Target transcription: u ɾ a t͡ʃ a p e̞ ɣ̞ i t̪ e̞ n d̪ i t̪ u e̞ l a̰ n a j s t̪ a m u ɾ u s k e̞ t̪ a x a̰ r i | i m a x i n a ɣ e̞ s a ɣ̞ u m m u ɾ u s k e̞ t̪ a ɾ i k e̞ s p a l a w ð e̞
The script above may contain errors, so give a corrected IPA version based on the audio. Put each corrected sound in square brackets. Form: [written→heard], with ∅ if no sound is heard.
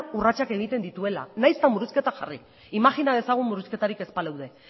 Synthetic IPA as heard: u [ɾ→r] a t͡ʃ a [p→k] e̞ ɣ̞ i t̪ e̞ n d̪ i t̪ u e̞ l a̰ n a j s t̪ a m u ɾ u s k e̞ t̪ a x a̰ r i | i m a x i n a [ɣ→ð] e̞ s a ɣ̞ u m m u ɾ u s k e̞ t̪ a ɾ i k e̞ s p a l a w ð e̞